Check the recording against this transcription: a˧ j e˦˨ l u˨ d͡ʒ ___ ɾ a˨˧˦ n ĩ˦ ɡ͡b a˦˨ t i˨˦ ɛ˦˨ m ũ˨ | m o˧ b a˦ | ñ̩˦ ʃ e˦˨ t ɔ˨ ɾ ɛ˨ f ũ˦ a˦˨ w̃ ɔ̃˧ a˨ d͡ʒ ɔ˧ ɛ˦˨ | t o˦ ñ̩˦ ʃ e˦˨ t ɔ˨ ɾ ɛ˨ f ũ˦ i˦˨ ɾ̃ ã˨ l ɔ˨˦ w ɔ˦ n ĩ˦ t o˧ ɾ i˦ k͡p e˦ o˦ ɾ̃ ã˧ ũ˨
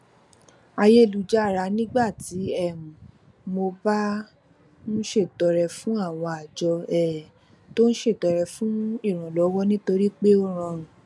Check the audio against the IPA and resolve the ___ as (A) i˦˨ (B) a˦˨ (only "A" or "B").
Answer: B